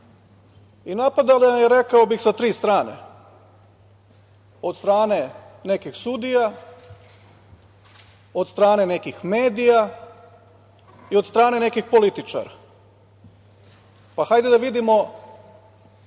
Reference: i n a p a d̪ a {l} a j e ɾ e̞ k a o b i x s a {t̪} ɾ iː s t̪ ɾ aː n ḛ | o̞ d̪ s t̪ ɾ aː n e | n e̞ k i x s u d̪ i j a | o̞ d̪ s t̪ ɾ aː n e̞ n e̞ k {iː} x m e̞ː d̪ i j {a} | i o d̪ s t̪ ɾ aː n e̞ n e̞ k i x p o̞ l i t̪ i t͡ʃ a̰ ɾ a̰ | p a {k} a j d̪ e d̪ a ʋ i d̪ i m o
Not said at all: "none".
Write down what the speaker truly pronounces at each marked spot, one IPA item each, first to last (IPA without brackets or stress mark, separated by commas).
l, t̪, i, a, x